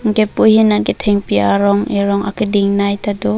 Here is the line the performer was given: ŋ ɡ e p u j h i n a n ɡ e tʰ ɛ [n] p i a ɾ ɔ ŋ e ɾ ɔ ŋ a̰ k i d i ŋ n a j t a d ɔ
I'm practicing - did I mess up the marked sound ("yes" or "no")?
yes